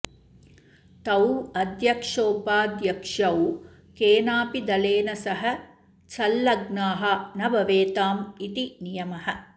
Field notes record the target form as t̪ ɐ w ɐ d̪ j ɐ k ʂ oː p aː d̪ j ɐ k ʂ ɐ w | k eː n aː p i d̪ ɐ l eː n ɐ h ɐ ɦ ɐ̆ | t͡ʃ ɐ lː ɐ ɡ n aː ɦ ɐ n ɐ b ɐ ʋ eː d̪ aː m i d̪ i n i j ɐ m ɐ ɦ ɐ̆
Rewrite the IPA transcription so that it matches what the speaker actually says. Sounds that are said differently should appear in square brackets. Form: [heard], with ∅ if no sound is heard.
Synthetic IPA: t̪ ɐ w ɐ d̪ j ɐ k ʂ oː p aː d̪ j ɐ k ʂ ɐ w | k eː n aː p i d̪ ɐ l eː n ɐ [s] ɐ ɦ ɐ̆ | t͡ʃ ɐ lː ɐ ɡ n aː ɦ ɐ n ɐ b ɐ ʋ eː [t̪] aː m i [t̪] i n i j ɐ m ɐ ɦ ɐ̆

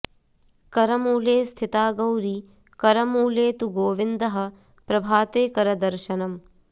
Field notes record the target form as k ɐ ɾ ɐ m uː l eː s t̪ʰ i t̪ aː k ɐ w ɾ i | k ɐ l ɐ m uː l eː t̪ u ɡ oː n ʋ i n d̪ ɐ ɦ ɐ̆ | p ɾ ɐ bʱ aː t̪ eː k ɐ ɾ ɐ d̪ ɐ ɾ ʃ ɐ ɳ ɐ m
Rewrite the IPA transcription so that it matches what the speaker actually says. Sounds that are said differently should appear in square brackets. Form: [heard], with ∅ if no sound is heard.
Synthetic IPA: k ɐ ɾ ɐ m uː l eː s t̪ʰ i t̪ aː [ɡ] ɐ w ɾ i | k ɐ [ɾ] ɐ m uː l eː t̪ u ɡ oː [∅] ʋ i n d̪ ɐ ɦ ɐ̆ | p ɾ ɐ bʱ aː t̪ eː k ɐ ɾ ɐ d̪ ɐ ɾ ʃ ɐ [n] ɐ m

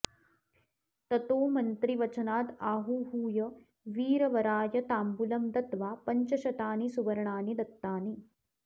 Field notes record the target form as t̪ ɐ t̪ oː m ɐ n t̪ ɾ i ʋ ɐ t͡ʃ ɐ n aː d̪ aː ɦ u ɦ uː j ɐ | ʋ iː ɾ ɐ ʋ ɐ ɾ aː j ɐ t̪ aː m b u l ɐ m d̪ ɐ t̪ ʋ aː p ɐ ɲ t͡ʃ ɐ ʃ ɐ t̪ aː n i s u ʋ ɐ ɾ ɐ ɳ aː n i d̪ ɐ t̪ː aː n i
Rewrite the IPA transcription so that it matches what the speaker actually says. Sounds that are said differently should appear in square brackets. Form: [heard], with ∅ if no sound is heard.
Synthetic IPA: t̪ ɐ t̪ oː m ɐ n t̪ ɾ i ʋ ɐ t͡ʃ ɐ n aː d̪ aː ɦ u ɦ uː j ɐ | ʋ iː ɾ ɐ ʋ ɐ ɾ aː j ɐ t̪ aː m b u l ɐ m d̪ ɐ t̪ ʋ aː p ɐ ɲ t͡ʃ ɐ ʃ ɐ t̪ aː n i s u ʋ ɐ ɾ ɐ ɳ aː n i d̪ ɐ t̪ː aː n i

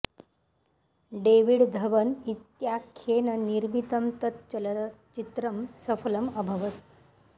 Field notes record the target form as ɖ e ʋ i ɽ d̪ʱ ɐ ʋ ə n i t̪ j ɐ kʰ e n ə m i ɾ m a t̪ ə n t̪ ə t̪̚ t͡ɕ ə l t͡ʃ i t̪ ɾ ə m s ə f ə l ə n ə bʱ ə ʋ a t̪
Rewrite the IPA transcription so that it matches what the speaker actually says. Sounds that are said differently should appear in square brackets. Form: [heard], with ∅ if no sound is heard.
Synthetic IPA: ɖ e ʋ i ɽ d̪ʱ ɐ ʋ ə n i t̪ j [a] kʰ e n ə [n] i ɾ m [i] t̪ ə [m] t̪ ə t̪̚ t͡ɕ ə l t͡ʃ i t̪ ɾ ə m s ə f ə l ə [m] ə bʱ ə ʋ [ə] t̪

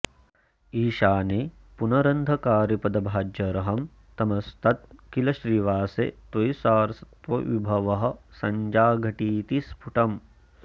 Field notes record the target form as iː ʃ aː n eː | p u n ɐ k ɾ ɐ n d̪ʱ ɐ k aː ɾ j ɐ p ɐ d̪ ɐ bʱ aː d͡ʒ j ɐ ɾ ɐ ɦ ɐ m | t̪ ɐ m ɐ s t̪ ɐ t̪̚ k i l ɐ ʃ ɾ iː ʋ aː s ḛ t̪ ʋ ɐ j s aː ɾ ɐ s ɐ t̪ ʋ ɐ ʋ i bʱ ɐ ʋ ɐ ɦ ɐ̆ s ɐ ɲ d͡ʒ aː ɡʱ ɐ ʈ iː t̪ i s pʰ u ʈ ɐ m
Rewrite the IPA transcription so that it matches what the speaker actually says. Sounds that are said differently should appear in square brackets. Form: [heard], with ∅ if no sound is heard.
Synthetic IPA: iː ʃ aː n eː | p u n ɐ [∅] ɾ ɐ n d̪ʱ ɐ k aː ɾ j ɐ p ɐ d̪ ɐ bʱ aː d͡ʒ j ɐ ɾ ɐ ɦ ɐ m | t̪ ɐ m ɐ s t̪ ɐ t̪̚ k i l ɐ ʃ ɾ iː ʋ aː s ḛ t̪ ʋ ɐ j s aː ɾ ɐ s ɐ t̪ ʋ ɐ ʋ i bʱ ɐ ʋ ɐ ɦ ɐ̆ s ɐ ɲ d͡ʒ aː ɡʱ ɐ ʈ iː t̪ i s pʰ u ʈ ɐ m

